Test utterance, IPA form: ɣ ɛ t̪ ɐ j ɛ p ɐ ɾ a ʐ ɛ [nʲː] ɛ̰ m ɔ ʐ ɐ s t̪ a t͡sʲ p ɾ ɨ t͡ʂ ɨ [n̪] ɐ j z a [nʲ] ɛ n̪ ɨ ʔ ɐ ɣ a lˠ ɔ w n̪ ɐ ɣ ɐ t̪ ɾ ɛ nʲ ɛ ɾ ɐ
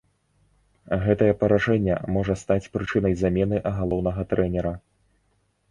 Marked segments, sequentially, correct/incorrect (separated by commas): correct, correct, incorrect